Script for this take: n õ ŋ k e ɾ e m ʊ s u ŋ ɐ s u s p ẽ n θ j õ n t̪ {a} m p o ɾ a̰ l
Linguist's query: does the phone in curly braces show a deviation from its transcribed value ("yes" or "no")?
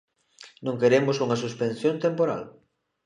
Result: yes